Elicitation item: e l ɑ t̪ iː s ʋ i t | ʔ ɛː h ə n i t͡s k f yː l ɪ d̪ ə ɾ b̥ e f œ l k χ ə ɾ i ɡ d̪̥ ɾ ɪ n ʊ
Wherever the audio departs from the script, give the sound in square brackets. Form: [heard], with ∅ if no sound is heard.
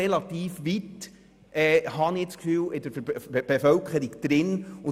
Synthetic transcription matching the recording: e l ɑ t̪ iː [f] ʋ i t | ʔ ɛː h [ɑ] n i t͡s k f yː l ɪ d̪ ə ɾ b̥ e f œ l k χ ə ɾ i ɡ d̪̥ ɾ ɪ n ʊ